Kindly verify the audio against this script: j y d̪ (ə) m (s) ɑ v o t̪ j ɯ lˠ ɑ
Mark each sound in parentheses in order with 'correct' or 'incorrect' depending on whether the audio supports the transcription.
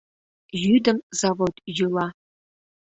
correct, incorrect: z

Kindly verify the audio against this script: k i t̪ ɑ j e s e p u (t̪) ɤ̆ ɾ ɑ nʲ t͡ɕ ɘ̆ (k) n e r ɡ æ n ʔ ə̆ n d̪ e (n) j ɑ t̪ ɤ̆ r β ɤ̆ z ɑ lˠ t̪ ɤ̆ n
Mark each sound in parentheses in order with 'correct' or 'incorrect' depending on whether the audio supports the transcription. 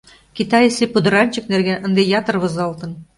incorrect: d̪, correct, incorrect: none

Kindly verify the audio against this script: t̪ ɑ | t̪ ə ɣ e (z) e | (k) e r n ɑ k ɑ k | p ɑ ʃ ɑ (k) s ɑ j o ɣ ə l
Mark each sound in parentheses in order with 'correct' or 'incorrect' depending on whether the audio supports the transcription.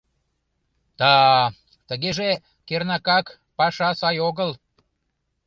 incorrect: ʒ, correct, incorrect: none

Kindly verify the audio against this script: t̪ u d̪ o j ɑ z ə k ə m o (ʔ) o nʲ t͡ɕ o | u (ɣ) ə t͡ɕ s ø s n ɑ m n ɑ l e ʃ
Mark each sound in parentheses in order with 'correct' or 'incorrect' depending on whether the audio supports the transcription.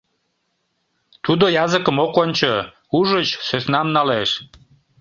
incorrect: k, incorrect: ʒ

